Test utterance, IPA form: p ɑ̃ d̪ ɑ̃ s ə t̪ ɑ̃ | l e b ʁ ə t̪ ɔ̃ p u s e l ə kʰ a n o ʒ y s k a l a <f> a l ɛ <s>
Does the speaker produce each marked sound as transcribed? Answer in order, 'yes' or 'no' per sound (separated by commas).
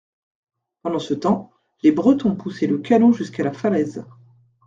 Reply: yes, no